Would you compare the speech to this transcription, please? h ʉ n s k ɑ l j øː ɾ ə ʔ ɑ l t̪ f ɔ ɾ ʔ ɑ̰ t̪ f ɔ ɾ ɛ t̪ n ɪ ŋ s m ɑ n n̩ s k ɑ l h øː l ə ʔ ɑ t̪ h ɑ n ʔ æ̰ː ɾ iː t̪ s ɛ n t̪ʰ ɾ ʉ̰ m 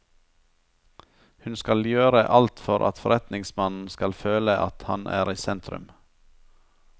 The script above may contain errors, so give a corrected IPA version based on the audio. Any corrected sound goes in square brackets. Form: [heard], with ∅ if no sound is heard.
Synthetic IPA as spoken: h ʉ n s k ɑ l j øː ɾ ə ʔ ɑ l t̪ f ɔ ɾ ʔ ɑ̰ t̪ f ɔ ɾ ɛ t̪ n ɪ ŋ s m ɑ n n̩ s k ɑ l [f] øː l ə ʔ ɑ t̪ h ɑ n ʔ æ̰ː ɾ iː [∅] s ɛ n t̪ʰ ɾ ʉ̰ m